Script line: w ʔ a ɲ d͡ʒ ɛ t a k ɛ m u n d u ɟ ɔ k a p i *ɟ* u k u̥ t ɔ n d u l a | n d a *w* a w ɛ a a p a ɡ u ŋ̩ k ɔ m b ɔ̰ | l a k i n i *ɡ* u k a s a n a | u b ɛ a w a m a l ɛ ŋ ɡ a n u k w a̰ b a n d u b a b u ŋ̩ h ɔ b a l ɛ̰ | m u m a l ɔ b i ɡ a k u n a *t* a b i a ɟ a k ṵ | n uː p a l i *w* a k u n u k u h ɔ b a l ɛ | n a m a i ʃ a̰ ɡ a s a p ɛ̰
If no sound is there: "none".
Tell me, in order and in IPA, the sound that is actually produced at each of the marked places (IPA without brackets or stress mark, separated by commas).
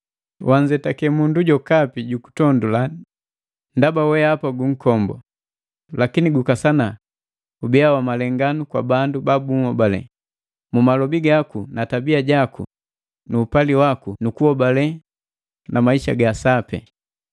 ɟ, b, ɡ, t, w